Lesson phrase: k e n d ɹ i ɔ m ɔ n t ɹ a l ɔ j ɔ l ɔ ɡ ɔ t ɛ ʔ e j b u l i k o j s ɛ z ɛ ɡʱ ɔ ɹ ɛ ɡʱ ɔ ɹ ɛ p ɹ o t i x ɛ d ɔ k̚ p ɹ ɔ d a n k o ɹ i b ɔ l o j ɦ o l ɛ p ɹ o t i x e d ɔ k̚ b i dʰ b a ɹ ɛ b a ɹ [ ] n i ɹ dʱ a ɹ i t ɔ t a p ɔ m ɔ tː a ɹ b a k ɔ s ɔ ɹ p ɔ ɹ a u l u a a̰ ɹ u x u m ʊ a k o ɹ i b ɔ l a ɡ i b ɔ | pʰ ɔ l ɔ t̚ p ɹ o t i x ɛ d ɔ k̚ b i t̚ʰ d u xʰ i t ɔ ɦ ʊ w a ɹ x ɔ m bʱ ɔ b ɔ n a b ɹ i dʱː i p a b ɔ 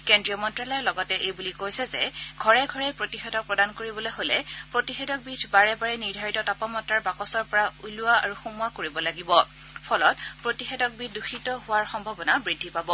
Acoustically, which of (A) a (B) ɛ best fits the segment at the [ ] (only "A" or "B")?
B